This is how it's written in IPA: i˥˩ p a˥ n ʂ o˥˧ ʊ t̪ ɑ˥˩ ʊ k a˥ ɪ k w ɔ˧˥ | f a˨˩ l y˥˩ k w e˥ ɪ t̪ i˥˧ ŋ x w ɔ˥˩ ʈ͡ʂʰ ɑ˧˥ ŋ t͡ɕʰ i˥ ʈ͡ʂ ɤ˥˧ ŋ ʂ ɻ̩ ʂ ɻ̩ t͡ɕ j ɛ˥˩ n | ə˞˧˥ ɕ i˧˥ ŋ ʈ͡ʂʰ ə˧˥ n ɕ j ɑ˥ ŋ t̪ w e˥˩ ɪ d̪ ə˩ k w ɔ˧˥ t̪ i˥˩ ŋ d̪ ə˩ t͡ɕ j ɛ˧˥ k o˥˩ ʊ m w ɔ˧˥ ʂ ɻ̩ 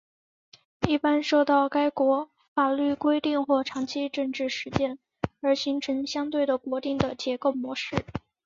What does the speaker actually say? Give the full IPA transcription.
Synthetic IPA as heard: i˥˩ p a˥ n ʂ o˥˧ ʊ t̪ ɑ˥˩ ʊ k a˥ ɪ k w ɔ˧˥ | f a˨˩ l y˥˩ k w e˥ ɪ t̪ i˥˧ ŋ x w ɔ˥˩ ʈ͡ʂʰ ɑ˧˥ ŋ t͡ɕʰ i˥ ʈ͡ʂ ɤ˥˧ ŋ ʈ͡ʂ ɻ̩ ʂ ɻ̩ t͡ɕ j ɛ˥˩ n | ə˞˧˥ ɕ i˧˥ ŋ ʈ͡ʂʰ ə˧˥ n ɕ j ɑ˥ ŋ t̪ w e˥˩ ɪ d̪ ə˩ k w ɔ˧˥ t̪ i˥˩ ŋ d̪ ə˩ t͡ɕ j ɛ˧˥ k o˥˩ ʊ m w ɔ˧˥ ʂ ɻ̩